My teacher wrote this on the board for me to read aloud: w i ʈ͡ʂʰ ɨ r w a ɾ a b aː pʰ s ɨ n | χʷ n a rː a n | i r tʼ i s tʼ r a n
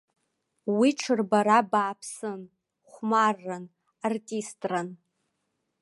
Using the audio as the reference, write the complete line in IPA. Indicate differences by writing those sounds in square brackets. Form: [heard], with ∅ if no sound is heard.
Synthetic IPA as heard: w i ʈ͡ʂʰ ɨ r [b] a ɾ a b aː pʰ s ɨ n | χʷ [m] a rː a n | [a] r tʼ i s tʼ r a n

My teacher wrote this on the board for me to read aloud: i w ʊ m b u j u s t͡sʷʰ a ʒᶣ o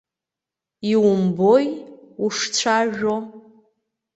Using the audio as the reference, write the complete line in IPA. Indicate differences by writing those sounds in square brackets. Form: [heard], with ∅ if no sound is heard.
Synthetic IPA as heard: i w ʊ m b [o] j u [ʂ] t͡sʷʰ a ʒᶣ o

